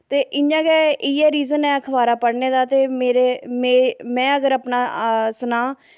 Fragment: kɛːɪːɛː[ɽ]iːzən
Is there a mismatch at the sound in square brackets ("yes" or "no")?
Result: yes